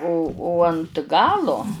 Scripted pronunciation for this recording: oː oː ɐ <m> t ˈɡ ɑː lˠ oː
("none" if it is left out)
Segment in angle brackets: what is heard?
n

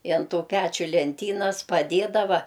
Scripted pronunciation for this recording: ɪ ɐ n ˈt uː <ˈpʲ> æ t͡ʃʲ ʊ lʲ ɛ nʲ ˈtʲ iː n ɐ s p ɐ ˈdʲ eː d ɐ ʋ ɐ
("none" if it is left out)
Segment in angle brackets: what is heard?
pʲ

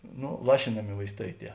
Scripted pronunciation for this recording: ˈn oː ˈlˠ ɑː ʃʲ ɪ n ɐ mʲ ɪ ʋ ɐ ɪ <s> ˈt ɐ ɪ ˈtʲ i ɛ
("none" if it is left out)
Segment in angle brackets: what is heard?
s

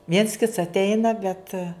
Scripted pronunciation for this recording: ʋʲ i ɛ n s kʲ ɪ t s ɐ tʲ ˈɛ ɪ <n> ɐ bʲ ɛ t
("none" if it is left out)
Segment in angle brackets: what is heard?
n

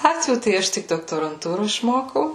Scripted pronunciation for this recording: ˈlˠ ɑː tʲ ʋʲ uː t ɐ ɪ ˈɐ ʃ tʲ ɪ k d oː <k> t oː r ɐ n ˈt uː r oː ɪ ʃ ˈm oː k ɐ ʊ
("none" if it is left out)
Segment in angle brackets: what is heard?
k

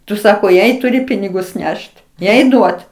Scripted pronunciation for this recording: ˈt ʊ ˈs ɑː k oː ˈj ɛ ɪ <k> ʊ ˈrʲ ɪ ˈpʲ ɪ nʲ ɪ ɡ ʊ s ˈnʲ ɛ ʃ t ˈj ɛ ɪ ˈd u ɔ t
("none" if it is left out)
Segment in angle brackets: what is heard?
t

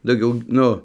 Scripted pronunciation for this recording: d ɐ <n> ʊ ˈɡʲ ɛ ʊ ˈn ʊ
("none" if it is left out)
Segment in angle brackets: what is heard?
none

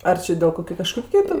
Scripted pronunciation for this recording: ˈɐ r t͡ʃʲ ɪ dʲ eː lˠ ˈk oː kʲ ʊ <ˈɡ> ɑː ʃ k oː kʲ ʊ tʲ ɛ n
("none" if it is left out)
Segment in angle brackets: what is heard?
k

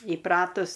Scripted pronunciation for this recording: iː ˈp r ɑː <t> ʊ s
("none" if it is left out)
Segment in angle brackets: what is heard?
t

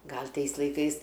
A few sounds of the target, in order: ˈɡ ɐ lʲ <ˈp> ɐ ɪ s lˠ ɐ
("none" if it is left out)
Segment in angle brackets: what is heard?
t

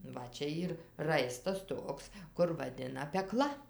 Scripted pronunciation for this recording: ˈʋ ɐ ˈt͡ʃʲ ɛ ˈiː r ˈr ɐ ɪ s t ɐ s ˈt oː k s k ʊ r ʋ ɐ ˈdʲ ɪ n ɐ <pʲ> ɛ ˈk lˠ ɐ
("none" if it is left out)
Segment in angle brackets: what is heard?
pʲ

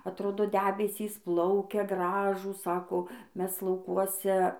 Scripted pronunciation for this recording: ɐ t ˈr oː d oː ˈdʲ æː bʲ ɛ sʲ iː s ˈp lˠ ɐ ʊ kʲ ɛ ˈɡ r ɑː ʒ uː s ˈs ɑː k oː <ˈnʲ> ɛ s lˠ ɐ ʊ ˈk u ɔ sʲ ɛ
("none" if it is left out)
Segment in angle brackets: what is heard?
mʲ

